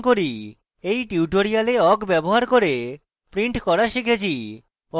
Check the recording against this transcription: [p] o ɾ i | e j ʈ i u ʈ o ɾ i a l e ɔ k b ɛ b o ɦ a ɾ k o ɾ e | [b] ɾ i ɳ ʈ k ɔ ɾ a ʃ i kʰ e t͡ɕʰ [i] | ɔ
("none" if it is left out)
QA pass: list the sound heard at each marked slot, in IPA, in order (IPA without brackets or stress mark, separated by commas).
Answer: k, p, i